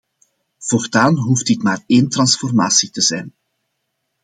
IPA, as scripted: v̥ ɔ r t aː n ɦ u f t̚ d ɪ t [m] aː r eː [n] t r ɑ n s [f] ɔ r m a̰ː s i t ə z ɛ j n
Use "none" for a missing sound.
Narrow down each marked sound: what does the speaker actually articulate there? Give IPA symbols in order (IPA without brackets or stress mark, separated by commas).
m, n, f